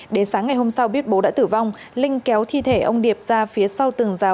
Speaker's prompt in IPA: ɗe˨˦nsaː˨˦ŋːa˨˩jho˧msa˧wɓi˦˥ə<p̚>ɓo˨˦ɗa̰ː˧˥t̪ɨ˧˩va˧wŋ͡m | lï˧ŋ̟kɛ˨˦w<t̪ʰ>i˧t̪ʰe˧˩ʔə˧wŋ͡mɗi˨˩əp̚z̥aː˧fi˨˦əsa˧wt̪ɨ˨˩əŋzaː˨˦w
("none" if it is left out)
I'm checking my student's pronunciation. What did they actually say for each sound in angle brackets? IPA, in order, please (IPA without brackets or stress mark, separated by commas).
t̚, t̪ʰ